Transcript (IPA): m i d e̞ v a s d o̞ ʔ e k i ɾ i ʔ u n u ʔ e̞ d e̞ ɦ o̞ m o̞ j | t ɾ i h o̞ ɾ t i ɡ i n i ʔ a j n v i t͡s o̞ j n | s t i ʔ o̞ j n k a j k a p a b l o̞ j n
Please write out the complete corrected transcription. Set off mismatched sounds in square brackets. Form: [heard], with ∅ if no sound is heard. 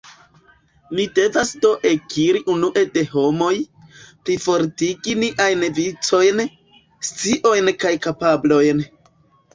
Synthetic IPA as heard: m i d e̞ v a s d o̞ ʔ e k i ɾ i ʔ u n u ʔ e̞ d e̞ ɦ o̞ m o̞ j | [p] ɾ i [f] o̞ ɾ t i ɡ i n i ʔ a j n v i t͡s o̞ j n | s [t͡s] i ʔ o̞ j n k a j k a p a b l o̞ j n